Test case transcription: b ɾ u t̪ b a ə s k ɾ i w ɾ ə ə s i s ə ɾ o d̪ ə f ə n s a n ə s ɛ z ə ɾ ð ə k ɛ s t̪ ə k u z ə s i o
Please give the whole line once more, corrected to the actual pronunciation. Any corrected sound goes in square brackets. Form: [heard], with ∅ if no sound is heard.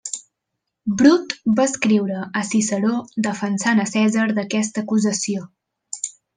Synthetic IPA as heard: b ɾ u t̪ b a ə s k ɾ i w ɾ ə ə s i s ə ɾ o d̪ ə f ə n s a n ə s ɛ z ə ɾ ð ə k ɛ s t̪ ə k u z ə s i o